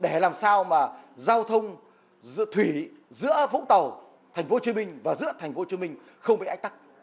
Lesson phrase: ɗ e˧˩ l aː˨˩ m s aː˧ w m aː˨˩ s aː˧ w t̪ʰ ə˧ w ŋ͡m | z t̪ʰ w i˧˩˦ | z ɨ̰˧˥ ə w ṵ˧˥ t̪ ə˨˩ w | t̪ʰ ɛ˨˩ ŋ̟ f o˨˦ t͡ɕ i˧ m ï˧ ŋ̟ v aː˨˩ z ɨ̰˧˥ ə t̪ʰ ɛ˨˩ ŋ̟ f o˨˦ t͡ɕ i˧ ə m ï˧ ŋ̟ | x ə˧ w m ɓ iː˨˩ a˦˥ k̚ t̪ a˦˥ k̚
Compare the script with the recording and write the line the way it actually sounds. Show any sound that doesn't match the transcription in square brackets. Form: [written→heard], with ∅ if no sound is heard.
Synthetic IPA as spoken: ɗ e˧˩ l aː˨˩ m s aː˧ w m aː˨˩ [s→z] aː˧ w t̪ʰ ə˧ w ŋ͡m | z t̪ʰ w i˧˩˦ | z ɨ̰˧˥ ə [w→v] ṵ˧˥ t̪ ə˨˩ w | t̪ʰ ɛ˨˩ ŋ̟ f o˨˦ t͡ɕ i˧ m ï˧ ŋ̟ v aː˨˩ z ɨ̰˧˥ ə t̪ʰ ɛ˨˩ ŋ̟ f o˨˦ t͡ɕ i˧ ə m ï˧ ŋ̟ | x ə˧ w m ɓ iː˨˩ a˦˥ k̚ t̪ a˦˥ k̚

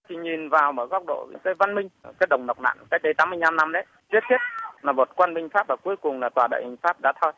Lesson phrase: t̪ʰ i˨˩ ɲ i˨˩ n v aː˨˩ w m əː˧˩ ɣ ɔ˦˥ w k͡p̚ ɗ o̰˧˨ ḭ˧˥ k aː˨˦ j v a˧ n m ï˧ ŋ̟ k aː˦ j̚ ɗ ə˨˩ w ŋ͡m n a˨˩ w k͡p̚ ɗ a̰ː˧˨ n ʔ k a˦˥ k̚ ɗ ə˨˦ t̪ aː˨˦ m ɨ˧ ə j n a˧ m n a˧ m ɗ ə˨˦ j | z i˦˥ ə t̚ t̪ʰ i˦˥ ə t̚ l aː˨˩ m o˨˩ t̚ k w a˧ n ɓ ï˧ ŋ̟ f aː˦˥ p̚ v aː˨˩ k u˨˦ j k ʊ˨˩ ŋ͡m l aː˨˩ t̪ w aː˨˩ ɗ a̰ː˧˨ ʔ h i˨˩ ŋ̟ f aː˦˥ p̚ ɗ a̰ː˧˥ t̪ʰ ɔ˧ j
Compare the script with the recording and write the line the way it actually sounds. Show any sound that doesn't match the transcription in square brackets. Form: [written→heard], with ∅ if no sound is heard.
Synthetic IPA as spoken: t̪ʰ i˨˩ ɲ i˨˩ n v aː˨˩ w m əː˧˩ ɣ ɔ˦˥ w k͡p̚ ɗ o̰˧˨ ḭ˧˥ k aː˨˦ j v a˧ n m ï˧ ŋ̟ k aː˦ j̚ ɗ ə˨˩ w ŋ͡m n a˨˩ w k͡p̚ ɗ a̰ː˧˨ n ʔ k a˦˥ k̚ ɗ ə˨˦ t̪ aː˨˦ m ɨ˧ ə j n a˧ m n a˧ m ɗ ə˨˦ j | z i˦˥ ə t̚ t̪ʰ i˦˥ ə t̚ l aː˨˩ m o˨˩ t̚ k w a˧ n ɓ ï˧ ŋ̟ f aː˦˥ p̚ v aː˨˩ k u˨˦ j k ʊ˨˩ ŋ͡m l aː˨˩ t̪ w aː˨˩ ɗ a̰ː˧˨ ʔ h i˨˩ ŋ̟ f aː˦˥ p̚ ɗ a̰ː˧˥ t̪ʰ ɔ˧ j

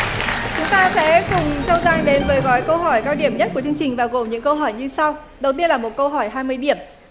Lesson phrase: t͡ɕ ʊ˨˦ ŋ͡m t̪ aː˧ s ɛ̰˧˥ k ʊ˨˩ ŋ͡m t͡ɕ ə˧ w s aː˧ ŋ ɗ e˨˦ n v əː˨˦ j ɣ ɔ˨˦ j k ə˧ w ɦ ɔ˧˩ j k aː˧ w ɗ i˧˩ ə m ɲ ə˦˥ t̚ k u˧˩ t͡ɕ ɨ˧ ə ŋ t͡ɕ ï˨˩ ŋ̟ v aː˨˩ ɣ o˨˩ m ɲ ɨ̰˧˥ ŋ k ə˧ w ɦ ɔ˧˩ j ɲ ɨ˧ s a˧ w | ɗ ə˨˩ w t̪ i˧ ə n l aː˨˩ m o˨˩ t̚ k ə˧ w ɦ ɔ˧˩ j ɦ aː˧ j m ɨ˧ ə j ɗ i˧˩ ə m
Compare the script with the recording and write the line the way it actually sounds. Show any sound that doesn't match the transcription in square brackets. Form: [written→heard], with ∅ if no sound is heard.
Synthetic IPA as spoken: t͡ɕ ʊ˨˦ ŋ͡m t̪ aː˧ s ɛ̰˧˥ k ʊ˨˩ ŋ͡m t͡ɕ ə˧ w [s→z] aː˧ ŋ ɗ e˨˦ n v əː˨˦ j ɣ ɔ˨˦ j k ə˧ w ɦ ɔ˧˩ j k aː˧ w ɗ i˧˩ ə m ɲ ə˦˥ t̚ k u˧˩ t͡ɕ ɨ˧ ə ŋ t͡ɕ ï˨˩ ŋ̟ v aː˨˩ ɣ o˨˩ m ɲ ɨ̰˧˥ ŋ k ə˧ w ɦ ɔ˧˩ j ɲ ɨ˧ s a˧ w | ɗ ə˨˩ w t̪ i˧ ə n l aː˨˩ m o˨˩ t̚ k ə˧ w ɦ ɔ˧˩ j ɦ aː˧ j m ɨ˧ ə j ɗ i˧˩ ə m

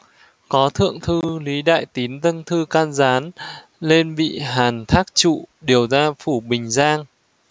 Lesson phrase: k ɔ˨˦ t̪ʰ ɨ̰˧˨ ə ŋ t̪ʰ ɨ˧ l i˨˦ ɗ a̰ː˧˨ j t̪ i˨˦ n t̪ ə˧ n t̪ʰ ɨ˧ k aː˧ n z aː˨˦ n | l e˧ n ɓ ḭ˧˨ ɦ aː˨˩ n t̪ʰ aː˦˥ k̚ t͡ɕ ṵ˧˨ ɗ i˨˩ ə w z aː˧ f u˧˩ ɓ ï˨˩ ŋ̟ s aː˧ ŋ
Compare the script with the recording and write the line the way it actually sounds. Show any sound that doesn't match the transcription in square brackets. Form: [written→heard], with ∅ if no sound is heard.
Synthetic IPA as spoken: k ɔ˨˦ t̪ʰ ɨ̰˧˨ ə ŋ t̪ʰ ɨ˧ l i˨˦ ɗ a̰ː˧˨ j t̪ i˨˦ n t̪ ə˧ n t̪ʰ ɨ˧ k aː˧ n z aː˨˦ n | l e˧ n ɓ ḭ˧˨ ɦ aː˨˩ n t̪ʰ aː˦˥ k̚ t͡ɕ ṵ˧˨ ɗ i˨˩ ə w z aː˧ f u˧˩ ɓ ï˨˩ ŋ̟ [s→z] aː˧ ŋ

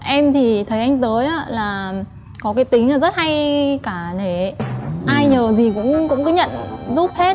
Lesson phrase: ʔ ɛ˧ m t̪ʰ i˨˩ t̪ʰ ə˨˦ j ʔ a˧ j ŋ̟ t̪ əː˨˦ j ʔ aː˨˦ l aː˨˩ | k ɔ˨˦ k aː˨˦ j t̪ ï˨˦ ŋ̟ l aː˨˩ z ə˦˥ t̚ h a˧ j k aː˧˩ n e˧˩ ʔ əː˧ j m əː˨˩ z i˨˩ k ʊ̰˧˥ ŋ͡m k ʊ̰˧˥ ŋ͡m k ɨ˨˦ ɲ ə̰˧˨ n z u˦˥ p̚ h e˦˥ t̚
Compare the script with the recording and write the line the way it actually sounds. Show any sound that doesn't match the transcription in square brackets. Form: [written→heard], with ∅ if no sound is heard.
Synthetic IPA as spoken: ʔ ɛ˧ m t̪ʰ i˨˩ t̪ʰ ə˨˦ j ʔ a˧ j ŋ̟ t̪ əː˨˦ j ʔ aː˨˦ l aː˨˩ | k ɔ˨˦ k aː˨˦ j t̪ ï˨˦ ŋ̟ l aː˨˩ z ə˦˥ t̚ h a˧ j k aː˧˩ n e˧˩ ʔ [əː˧→aː˧] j [m→ɲ] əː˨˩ z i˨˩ k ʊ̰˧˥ ŋ͡m k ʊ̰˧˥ ŋ͡m k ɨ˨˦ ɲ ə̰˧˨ n z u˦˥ p̚ h e˦˥ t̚

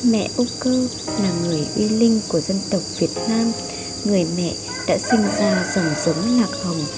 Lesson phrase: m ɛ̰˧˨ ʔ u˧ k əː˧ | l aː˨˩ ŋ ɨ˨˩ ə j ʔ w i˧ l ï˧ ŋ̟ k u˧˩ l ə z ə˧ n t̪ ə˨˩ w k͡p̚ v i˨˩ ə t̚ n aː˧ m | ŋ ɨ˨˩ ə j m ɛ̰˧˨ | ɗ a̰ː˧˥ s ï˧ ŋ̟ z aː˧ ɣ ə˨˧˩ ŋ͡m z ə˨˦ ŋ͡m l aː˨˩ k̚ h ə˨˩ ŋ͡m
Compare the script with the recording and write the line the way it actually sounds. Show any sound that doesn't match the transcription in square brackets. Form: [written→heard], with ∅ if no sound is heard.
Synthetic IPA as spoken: m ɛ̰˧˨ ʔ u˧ k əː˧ | l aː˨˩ ŋ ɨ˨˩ ə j ʔ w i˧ l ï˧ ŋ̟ k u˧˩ [l→∅] ə z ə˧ n t̪ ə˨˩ w k͡p̚ v i˨˩ ə t̚ n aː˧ m | ŋ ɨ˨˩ ə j m ɛ̰˧˨ | ɗ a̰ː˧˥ s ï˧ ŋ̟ z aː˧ [ɣ→z] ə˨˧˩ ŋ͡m z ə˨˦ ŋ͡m l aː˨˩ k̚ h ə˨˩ ŋ͡m

